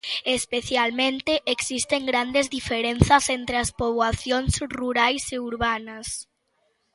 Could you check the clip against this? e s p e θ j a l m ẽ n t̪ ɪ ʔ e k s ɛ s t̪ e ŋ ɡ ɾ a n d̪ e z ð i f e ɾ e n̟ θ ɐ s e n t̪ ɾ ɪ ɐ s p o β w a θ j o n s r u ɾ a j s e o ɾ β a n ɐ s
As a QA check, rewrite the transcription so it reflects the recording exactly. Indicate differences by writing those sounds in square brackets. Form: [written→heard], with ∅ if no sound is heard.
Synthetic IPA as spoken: e s p e θ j a l m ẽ n t̪ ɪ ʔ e k s [ɛ→i] s t̪ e ŋ ɡ ɾ a n d̪ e z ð i f e ɾ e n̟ θ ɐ s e n t̪ ɾ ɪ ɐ s p o β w a θ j o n s r u ɾ a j s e [o→u] ɾ β a n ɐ s